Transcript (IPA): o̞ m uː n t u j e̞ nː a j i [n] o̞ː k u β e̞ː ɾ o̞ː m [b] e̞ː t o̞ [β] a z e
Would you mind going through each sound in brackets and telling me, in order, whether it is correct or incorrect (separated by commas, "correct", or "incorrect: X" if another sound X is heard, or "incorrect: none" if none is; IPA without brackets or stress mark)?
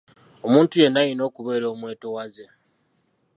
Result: correct, incorrect: w, incorrect: w